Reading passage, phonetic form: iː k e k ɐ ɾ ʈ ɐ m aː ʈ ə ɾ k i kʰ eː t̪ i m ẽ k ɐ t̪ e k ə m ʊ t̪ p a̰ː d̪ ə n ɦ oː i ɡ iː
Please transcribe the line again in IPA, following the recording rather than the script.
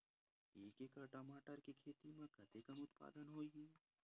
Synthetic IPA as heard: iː k e k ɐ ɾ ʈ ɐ m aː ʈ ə ɾ k i kʰ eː t̪ i m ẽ k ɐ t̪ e k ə m ʊ t̪ p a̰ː d̪ ə n ɦ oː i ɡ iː